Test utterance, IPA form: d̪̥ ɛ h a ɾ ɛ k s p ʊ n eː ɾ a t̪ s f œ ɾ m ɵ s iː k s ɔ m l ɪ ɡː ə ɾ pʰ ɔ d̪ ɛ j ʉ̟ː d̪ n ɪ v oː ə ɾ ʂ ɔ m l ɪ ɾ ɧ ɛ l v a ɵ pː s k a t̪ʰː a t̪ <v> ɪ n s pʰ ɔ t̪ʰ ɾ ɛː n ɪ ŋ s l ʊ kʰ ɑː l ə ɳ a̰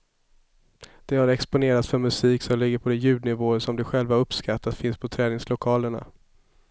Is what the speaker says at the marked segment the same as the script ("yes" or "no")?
no